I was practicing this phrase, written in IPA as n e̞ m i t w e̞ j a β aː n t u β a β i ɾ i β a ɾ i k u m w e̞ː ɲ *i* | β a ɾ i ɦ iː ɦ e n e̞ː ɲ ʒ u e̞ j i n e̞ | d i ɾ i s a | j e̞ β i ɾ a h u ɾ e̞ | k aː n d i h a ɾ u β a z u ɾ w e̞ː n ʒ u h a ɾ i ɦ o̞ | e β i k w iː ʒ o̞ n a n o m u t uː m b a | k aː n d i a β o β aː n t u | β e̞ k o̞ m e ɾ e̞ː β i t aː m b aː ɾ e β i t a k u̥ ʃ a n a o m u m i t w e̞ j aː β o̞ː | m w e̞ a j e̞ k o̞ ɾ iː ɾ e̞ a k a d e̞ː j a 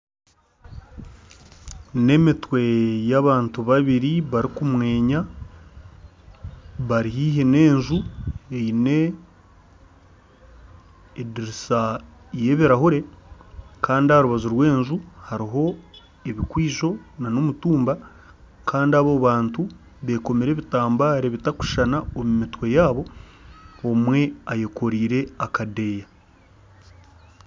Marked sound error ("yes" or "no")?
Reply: yes